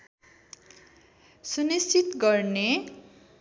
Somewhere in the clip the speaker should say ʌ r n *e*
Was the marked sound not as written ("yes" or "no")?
no